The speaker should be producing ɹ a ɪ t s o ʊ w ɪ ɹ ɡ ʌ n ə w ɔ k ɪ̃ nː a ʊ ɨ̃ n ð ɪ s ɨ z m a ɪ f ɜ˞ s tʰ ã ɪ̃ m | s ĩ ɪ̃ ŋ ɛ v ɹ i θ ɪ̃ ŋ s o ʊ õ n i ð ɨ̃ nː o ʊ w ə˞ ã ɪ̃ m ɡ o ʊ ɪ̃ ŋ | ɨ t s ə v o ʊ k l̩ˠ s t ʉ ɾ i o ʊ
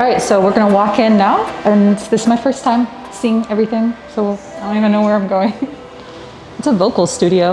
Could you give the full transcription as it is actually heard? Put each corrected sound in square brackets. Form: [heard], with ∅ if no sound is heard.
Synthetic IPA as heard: ɹ a ɪ t s o ʊ w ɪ ɹ ɡ ʌ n ə w ɔ k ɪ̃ nː a ʊ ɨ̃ n ð ɪ s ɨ z m a ɪ f ɜ˞ s tʰ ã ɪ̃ m | s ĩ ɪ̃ ŋ ɛ v ɹ i θ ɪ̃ ŋ s o ʊ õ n i [v] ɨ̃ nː o ʊ w ə˞ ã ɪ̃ m ɡ o ʊ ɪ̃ ŋ | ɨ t s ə v o ʊ k l̩ˠ s t ʉ ɾ i o ʊ